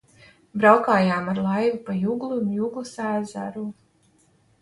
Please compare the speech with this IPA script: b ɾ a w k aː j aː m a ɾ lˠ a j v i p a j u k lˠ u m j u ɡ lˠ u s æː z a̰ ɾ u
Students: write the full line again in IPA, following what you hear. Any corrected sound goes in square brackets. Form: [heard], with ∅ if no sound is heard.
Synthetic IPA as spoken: b ɾ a w k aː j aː m a ɾ lˠ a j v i p a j u [ɡ] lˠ u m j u ɡ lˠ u s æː z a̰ ɾ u